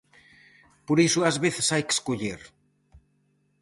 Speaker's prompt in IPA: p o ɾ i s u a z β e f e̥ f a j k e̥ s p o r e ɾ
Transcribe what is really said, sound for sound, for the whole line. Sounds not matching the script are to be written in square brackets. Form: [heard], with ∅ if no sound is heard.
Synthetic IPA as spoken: p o ɾ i s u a z β e [θ] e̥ [s] a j k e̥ s [k] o [ʎ] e ɾ